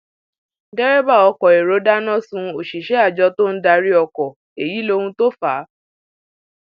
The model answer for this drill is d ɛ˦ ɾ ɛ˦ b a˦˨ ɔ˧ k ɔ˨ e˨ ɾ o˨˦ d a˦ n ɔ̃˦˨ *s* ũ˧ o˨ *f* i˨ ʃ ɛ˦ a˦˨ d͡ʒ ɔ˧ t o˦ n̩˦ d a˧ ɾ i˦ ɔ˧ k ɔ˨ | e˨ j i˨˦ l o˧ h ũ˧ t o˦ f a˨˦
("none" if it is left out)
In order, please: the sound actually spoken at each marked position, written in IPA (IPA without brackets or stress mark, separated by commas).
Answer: s, ʃ